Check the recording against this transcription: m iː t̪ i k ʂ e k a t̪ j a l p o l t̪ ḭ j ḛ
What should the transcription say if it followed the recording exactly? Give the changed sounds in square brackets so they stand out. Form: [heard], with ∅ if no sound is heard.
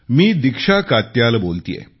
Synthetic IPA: m iː [d̪] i k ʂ [a] k a t̪ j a l [b] o l t̪ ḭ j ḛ